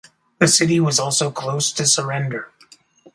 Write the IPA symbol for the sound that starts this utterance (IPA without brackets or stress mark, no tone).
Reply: ð